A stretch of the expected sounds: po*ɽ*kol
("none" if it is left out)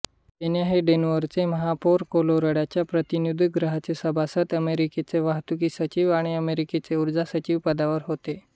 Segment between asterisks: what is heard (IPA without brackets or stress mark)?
ɾ